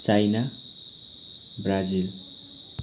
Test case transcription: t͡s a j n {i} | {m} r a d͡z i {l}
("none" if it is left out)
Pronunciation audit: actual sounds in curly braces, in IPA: a, b, l

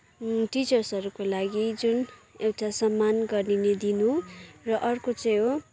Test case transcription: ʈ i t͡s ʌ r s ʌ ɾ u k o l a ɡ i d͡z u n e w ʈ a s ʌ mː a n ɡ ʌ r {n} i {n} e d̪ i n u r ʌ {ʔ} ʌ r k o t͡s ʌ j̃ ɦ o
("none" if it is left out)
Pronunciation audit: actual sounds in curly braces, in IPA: n, n, ʔ

